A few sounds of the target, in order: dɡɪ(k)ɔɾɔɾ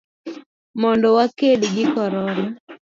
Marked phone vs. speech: correct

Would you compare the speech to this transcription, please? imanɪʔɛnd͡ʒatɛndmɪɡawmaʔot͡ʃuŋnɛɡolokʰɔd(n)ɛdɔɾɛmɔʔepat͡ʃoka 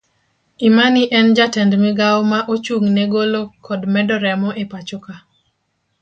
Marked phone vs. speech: incorrect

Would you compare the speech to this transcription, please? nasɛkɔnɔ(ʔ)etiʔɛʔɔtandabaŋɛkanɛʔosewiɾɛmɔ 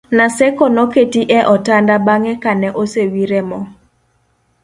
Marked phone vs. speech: incorrect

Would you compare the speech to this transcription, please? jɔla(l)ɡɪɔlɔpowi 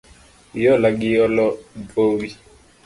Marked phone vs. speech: incorrect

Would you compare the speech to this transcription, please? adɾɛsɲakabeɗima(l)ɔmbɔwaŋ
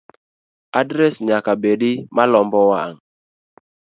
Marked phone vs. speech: correct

